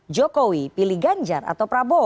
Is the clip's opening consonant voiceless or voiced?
voiced